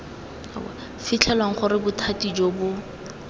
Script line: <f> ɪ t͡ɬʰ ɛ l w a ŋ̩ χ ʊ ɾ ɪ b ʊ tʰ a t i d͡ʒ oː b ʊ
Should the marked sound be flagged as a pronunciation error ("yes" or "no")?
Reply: no